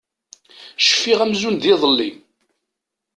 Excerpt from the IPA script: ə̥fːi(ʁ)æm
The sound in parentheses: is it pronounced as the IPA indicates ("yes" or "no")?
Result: yes